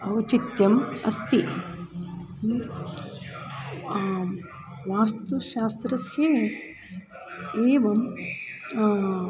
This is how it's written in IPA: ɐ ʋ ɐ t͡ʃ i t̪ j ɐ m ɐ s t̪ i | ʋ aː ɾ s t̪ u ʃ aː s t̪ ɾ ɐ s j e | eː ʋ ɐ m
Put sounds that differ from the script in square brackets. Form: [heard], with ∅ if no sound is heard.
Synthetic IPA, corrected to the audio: ɐ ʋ ɐ t͡ʃ i t̪ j ɐ m ɐ s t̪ i | ʋ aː [∅] s t̪ u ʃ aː s t̪ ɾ ɐ s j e | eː ʋ ɐ m